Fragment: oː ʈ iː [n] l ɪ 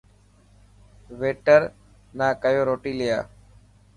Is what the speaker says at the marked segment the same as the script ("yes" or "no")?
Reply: no